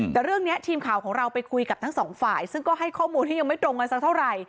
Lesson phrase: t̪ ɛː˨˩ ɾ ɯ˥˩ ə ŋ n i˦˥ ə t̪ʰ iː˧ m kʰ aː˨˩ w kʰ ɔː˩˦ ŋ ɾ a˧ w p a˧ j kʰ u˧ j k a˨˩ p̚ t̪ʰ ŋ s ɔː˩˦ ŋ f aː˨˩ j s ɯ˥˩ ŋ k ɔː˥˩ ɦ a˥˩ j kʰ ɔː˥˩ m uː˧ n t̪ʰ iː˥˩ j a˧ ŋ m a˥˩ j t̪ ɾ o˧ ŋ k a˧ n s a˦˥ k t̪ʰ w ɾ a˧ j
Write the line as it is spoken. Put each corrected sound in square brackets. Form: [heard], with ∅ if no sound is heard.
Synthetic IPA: t̪ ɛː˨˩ ɾ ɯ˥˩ ə ŋ n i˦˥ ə t̪ʰ iː˧ m kʰ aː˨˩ w kʰ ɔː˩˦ ŋ ɾ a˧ w p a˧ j kʰ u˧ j k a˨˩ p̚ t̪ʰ ŋ s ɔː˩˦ ŋ f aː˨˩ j s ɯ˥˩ ŋ k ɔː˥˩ ɦ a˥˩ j kʰ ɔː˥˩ m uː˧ n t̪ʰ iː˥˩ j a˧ ŋ m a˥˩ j t̪ ɾ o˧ ŋ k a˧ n s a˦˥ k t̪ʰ w ɾ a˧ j